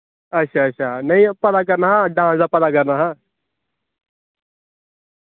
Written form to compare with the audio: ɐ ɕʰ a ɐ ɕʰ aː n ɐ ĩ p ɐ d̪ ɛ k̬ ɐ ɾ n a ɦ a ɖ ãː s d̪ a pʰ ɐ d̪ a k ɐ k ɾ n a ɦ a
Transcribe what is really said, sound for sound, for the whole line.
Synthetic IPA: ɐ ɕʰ a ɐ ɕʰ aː n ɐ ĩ p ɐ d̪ a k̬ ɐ ɾ n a ɦ a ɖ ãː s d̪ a p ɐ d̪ a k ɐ ɾ n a ɦ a

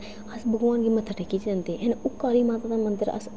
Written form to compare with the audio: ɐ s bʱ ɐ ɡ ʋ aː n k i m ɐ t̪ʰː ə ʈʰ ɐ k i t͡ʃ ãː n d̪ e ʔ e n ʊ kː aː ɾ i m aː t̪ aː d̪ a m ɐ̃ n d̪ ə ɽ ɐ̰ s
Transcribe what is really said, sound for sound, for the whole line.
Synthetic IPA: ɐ s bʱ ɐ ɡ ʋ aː n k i m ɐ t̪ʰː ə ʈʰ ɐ k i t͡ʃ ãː n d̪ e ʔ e n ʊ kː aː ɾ i m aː t̪ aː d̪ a m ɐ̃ n d̪ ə ɾ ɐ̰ s

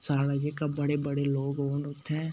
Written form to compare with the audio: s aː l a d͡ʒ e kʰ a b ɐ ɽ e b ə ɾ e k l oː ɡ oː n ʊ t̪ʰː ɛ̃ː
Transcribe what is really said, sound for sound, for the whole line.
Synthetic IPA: s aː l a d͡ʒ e k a b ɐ ɽ e b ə ɽ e l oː ɡ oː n ʊ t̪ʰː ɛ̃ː

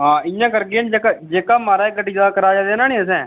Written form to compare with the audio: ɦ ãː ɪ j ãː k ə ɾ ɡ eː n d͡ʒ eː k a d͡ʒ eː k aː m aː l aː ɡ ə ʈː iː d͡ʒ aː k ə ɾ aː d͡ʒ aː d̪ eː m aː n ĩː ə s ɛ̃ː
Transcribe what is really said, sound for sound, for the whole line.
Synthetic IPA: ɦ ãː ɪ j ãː k ə ɾ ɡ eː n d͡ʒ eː k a d͡ʒ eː k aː m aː ɾ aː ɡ ə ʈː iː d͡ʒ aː k ə ɾ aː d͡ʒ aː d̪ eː n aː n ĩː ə s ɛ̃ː

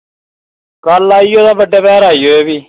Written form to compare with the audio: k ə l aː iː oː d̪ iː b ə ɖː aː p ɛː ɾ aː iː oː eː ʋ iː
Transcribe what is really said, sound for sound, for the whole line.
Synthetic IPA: k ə l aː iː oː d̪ aː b ə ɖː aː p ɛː ɾ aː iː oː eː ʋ iː

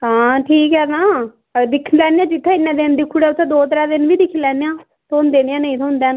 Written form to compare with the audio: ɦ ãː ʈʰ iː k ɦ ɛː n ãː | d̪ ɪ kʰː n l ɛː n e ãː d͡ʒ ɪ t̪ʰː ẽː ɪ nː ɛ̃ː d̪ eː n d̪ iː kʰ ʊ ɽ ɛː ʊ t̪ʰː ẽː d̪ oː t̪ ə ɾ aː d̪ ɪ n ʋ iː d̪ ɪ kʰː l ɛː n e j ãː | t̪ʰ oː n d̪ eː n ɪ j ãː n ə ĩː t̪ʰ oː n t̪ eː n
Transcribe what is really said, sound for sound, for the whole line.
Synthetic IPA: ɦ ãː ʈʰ iː k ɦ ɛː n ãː | d̪ ɪ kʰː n l ɛː n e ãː d͡ʒ ɪ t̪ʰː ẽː ɪ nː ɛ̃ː d̪ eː n d̪ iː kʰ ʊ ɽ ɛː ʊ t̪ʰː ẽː d̪ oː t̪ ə ɾ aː d̪ ɪ n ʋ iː d̪ ɪ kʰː l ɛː n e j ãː | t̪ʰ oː n d̪ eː n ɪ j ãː n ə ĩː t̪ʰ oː n d̪ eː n

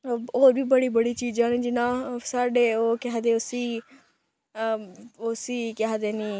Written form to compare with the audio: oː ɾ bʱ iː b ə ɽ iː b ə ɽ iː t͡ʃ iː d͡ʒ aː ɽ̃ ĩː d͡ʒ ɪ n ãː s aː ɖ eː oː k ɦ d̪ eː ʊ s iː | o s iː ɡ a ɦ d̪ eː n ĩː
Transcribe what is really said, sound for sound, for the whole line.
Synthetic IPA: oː ɾ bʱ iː b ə ɽ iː b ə ɽ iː t͡ʃ iː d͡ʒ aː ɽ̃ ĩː d͡ʒ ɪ n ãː s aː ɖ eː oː k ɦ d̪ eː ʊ s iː | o s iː k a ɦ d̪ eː n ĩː

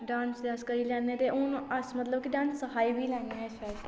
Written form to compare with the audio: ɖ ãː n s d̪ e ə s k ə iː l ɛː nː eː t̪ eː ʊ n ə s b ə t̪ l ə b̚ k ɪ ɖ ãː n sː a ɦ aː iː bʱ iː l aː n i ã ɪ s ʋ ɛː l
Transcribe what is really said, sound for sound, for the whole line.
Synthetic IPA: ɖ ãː n s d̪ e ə s k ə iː l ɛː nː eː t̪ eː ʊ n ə s m ə t̪ l ə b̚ k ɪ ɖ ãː n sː ə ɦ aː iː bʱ iː l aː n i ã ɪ s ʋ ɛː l

